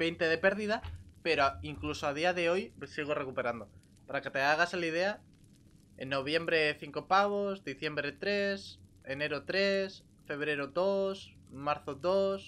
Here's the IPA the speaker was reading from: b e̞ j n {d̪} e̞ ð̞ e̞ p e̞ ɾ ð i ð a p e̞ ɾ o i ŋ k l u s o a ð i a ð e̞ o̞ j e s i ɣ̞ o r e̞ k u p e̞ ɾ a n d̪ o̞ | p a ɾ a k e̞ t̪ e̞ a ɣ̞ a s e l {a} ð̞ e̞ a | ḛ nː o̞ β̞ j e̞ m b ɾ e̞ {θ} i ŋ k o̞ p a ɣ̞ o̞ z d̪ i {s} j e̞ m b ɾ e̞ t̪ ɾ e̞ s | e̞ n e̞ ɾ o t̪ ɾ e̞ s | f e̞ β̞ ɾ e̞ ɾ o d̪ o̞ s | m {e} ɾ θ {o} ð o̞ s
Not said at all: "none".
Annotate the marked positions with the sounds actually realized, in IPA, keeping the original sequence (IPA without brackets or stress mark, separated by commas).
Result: t̪, i, θ, θ, a, o